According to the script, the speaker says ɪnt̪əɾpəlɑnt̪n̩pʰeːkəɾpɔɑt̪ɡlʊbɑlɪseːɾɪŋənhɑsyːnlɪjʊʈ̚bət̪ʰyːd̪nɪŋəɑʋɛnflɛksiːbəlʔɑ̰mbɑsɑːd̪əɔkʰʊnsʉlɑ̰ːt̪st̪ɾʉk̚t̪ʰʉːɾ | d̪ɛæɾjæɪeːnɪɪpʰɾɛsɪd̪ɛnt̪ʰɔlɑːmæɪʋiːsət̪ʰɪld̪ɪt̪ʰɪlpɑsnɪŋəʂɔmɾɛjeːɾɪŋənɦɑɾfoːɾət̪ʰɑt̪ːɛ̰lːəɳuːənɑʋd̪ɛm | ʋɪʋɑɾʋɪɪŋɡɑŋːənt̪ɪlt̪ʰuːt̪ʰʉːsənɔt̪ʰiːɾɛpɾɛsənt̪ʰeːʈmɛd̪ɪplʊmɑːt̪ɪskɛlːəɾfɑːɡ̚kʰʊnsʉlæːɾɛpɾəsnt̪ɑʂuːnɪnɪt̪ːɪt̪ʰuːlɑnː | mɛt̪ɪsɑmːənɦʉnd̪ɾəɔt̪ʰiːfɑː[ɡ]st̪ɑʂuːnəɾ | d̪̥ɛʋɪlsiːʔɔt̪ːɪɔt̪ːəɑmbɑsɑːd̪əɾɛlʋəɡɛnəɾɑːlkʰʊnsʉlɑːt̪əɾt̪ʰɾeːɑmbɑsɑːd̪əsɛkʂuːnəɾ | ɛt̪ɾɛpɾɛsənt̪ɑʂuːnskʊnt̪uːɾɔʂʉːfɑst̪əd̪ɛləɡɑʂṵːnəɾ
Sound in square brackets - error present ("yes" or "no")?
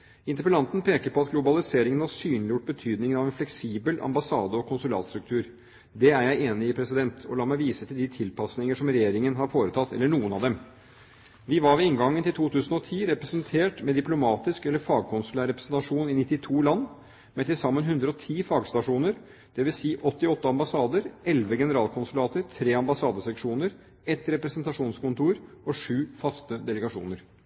no